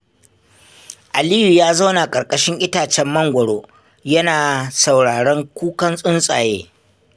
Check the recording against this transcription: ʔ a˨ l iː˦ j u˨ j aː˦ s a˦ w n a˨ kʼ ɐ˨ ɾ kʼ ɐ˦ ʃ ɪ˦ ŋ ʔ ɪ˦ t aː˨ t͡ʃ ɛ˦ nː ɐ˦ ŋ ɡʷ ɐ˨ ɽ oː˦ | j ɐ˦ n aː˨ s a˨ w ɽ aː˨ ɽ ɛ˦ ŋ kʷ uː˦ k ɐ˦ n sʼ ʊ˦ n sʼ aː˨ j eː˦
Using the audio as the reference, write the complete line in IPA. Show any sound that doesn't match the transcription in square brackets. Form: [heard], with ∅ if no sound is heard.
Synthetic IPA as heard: ʔ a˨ l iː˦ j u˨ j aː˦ [z] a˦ w n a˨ kʼ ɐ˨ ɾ kʼ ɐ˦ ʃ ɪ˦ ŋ ʔ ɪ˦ t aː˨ t͡ʃ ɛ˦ [mː] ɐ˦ ŋ ɡʷ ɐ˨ ɽ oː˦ | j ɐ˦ n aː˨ s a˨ w ɽ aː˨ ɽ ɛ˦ ŋ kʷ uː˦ k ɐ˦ n sʼ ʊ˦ n sʼ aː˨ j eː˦